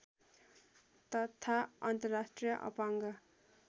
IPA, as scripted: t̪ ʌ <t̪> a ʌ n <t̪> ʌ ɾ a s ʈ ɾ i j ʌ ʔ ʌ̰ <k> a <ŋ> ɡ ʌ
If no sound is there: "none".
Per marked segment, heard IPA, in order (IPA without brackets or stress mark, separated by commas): t̪ʰ, t̪, p, ŋ